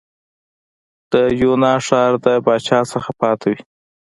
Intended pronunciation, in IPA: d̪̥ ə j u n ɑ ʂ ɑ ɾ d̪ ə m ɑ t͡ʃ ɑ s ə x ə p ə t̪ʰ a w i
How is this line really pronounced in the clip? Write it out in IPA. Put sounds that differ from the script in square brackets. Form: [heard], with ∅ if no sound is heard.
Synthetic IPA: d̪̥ ə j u n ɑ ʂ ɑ ɾ d̪ ə [b] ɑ t͡ʃ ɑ s ə x [a] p [ɑ] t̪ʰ a w i